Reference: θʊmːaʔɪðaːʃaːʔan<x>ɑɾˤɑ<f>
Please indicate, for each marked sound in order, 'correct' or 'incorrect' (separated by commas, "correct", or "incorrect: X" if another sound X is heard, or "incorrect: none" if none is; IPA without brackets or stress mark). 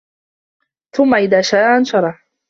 incorrect: ʃ, incorrect: ħ